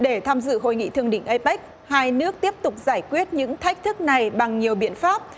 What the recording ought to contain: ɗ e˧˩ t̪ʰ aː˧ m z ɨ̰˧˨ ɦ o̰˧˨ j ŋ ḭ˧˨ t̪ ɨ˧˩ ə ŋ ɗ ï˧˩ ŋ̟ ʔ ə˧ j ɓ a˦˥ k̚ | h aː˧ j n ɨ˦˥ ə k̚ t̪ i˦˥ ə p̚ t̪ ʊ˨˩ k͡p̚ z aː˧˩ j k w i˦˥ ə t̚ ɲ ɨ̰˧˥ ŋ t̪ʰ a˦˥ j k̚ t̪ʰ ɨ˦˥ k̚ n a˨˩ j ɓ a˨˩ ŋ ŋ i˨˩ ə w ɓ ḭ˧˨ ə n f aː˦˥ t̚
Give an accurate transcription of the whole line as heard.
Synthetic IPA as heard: ɗ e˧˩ t̪ʰ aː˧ m z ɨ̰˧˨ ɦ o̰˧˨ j ŋ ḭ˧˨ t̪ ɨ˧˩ ə ŋ ɗ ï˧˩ ŋ̟ ʔ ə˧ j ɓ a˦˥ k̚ | h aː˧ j n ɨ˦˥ ə k̚ t̪ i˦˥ ə p̚ t̪ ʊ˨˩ k͡p̚ z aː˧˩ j k w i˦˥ ə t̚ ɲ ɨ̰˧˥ ŋ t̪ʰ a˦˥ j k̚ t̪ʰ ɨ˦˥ k̚ n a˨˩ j ɓ a˨˩ ŋ ɲ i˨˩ ə w ɓ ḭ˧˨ ə n f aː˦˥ p̚